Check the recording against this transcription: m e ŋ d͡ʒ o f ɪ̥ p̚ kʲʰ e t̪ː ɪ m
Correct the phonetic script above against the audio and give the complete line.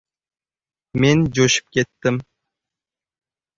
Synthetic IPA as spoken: m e n d͡ʒ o ʃ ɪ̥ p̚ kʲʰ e t̪ː ɪ m